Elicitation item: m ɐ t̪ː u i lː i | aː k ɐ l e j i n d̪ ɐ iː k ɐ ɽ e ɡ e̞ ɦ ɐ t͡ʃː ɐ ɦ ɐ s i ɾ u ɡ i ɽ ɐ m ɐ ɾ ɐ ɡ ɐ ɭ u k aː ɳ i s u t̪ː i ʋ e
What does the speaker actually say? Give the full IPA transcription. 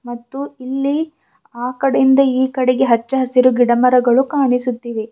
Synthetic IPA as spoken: m ɐ t̪ː u i lː i | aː k ɐ ɽ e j i n d̪ ɐ iː k ɐ ɽ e ɡ e̞ ɦ ɐ t͡ʃː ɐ ɦ ɐ s i ɾ u ɡ i ɽ ɐ m ɐ ɾ ɐ ɡ ɐ ɭ u k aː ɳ i s u t̪ː i ʋ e